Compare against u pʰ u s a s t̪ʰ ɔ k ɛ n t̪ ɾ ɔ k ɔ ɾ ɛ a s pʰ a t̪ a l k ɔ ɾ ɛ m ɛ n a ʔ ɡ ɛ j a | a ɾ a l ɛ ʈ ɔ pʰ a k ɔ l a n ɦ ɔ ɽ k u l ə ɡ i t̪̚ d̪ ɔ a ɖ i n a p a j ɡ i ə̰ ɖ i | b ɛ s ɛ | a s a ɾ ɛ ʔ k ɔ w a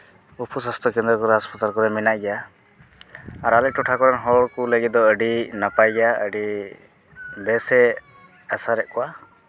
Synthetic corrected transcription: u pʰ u s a s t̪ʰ ɔ k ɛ n d̪ ɾ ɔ k ɔ ɾ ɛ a s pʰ a t̪ a l k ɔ ɾ ɛ m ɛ n a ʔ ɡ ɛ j a | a ɾ a l ɛ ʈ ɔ ʈʰ a k ɔ ɾ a n ɦ ɔ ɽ k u l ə ɡ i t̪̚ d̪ ɔ ə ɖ i n a p a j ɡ a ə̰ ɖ i | b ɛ s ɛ | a s a ɾ ɛ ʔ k ɔ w a